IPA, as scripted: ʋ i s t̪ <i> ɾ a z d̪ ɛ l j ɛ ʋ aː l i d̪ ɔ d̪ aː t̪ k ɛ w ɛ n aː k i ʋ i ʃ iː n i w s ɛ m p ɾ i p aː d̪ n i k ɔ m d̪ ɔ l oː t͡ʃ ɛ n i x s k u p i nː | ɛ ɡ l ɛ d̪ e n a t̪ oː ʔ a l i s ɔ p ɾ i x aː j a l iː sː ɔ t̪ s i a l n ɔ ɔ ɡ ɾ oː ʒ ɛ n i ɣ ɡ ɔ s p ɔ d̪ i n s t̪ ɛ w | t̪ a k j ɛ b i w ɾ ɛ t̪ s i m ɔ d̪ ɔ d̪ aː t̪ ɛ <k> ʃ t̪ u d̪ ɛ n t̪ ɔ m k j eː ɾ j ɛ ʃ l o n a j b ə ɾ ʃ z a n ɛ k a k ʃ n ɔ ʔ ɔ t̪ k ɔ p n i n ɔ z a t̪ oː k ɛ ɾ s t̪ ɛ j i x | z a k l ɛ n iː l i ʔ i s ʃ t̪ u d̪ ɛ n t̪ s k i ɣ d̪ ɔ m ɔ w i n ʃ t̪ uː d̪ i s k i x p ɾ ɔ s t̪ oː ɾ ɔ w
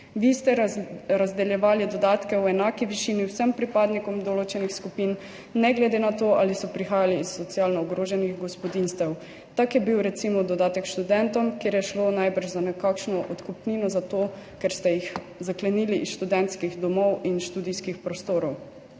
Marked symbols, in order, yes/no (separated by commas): no, yes